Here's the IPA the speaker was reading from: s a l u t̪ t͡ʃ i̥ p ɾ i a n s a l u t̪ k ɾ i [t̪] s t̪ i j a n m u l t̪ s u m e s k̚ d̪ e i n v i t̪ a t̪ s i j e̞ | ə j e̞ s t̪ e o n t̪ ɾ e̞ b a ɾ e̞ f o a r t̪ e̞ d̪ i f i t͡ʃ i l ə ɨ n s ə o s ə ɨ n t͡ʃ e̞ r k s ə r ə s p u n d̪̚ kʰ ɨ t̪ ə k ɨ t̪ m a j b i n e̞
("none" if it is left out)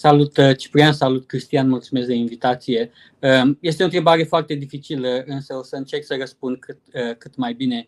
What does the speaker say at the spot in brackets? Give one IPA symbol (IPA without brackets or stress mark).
none